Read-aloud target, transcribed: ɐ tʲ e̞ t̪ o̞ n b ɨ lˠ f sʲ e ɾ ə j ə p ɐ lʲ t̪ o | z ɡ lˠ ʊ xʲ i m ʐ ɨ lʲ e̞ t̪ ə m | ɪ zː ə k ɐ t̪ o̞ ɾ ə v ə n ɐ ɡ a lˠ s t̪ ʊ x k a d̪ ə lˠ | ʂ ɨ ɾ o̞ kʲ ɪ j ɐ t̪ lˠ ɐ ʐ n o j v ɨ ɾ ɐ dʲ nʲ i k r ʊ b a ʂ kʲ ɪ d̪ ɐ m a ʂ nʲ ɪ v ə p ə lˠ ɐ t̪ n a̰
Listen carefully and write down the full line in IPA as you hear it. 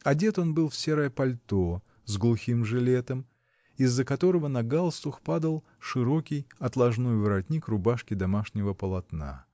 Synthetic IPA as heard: ɐ dʲ e̞ t̪ o̞ n b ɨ lˠ f sʲ e ɾ ə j ə p ɐ lʲ t̪ o | z ɡ lˠ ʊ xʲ i m ʐ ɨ lʲ e̞ t̪ ə m | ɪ zː ə k ɐ t̪ o̞ ɾ ə v ə n ɐ ɡ a lˠ s t̪ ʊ x p a d̪ ə lˠ | ʂ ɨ ɾ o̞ kʲ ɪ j ɐ t̪ lˠ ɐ ʐ n o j v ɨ ɾ ɐ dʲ nʲ i k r ʊ b a ʂ kʲ ɪ d̪ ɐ m a ʂ nʲ ɪ v ə p ə lˠ ɐ t̪ n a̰

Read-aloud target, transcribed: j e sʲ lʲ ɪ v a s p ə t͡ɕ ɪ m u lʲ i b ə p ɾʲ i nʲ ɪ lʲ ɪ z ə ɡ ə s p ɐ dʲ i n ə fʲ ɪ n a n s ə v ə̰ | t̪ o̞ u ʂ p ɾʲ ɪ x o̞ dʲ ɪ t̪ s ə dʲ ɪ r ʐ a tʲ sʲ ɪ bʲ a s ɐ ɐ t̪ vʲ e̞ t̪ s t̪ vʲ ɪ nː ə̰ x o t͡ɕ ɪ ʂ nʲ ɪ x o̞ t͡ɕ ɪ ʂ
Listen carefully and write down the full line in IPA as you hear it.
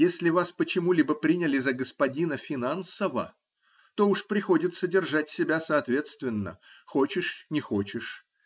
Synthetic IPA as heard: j e sʲ lʲ ɪ v a s p ə t͡ɕ ɪ m u lʲ i b ə p ɾʲ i nʲ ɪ lʲ ɪ z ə ɡ ə s p ɐ dʲ i n ə fʲ ɪ n a n s ə v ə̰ | t̪ o̞ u ʂ p ɾʲ ɪ x o̞ dʲ ɪ t̪ s ə dʲ ɪ r ʐ a tʲ sʲ ɪ bʲ a s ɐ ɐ t̪ vʲ e̞ t̪ s t̪ vʲ ɪ nː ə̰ x o t͡ɕ ɪ ʂ nʲ ɪ x o̞ t͡ɕ ɪ ʂ

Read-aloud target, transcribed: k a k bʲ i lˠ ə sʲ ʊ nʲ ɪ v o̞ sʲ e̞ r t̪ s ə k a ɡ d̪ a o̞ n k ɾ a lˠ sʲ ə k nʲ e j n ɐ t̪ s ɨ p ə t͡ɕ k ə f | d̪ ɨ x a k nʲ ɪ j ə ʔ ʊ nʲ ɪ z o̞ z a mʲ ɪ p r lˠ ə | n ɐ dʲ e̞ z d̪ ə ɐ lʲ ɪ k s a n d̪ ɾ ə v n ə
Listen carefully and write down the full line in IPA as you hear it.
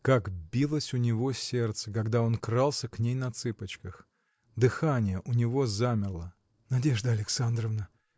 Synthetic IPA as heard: k a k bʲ i lˠ ə sʲ ʊ nʲ ɪ v o̞ sʲ e̞ r t̪ s ə k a ɡ d̪ a o̞ n k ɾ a lˠ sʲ ə k nʲ e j n ɐ t̪ s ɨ p ə t͡ɕ k ə x | d̪ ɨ x a nʲ ɪ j ə ʔ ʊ nʲ ɪ v o̞ z a mʲ ɪ r lˠ ə | n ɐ dʲ e̞ ʐ d̪ ə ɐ lʲ ɪ k s a n d̪ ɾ ə v n ə

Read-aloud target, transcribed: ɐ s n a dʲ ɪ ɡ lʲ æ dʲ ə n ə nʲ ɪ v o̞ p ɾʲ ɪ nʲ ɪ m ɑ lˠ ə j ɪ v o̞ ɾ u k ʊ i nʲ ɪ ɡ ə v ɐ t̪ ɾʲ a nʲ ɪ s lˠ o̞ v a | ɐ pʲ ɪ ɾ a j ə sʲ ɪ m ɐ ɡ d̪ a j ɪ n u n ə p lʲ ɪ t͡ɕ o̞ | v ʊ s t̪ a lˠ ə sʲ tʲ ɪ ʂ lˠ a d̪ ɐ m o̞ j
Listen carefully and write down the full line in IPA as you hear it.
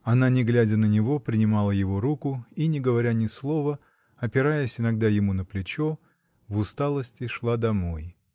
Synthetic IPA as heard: ɐ n a nʲ ɪ ɡ lʲ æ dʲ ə n ə nʲ ɪ v o̞ p ɾʲ ɪ nʲ ɪ m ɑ lˠ ə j ɪ v o̞ ɾ u k ʊ i nʲ ɪ ɡ ə v ɐ ɾʲ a nʲ ɪ s lˠ o̞ v ə | ɐ pʲ ɪ ɾ a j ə sʲ ɪ n ɐ ɡ d̪ a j ɪ m u n ə p lʲ ɪ t͡ɕ o̞ | v ʊ s t̪ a lˠ ə sʲ tʲ ɪ ʂ lˠ a d̪ ɐ m o̞ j

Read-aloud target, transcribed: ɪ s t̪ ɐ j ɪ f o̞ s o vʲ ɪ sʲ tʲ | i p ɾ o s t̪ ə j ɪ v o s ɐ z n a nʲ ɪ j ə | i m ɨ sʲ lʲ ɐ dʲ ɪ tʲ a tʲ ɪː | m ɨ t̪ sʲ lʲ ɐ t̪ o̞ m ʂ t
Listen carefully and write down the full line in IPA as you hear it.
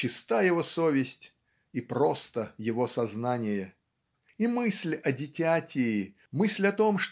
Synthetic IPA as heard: ɪ s t̪ a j ɪ v o̞ s o vʲ ɪ sʲ tʲ | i p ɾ o s t̪ ə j ɪ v o s ɐ z n a nʲ ɪ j ə | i m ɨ sʲ lʲ ɐ dʲ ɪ tʲ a tʲ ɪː | m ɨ sʲ lʲ ɐ t̪ o̞ m ʂ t

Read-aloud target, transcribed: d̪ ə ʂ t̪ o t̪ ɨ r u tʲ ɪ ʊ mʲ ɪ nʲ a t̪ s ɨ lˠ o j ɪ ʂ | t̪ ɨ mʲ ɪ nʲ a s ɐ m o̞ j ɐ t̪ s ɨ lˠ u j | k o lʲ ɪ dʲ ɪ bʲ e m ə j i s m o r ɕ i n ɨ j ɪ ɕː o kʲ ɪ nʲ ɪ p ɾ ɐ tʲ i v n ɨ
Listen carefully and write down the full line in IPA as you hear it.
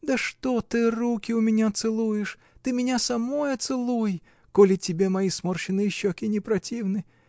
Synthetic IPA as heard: d̪ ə ʂ t̪ o t̪ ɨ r u kʲ ɪ ʊ mʲ ɪ nʲ a t̪ s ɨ lˠ u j ɪ ʂ | t̪ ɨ mʲ ɪ nʲ a s ɐ m o̞ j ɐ t̪ s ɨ lˠ u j | k o lʲ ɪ tʲ ɪ bʲ e m ɐ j i s m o r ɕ ɪ n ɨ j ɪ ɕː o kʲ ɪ nʲ ɪ p ɾ ɐ tʲ i v n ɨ

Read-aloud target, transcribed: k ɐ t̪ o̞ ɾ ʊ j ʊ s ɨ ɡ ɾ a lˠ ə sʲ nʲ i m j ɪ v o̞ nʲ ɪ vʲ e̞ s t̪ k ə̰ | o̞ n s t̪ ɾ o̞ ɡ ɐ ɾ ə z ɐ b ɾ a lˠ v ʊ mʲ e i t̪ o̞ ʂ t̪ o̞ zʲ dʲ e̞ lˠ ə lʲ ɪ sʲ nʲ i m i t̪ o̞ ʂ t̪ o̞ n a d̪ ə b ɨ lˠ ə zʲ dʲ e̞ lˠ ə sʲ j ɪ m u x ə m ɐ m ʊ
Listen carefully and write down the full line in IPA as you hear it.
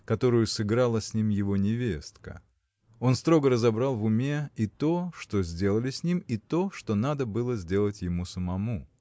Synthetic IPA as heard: k ɐ t̪ o̞ ɾ ʊ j ʊ s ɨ ɡ ɾ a lˠ ə sʲ nʲ i m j ɪ v o̞ nʲ ɪ vʲ e̞ s t̪ k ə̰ | o̞ n s t̪ ɾ o̞ ɡ ə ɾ ə z ɐ b ɾ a lˠ v ʊ mʲ e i t̪ o̞ ʂ t̪ o̞ zʲ dʲ e̞ lˠ ə lʲ ɪ sʲ nʲ i m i t̪ o̞ ʂ t̪ o̞ n a d̪ ə b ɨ lˠ ə zʲ dʲ e̞ lˠ ə tʲ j ɪ m u s ə m ɐ m u

